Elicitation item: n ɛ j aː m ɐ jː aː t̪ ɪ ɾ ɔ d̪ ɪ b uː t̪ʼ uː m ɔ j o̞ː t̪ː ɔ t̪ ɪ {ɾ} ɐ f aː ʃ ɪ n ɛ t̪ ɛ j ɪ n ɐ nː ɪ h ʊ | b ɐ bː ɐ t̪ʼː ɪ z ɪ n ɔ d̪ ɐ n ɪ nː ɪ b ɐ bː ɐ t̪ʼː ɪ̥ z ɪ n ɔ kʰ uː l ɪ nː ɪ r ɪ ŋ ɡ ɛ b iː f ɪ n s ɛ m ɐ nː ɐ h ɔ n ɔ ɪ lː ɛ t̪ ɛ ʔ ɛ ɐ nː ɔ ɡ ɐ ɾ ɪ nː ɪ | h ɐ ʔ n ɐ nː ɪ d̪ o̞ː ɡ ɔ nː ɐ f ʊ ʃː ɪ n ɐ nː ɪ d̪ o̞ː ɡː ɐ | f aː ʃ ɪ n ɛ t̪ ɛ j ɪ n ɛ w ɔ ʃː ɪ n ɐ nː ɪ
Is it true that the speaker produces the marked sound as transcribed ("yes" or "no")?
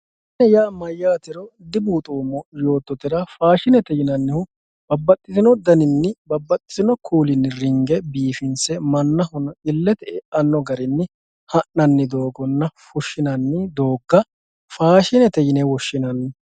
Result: yes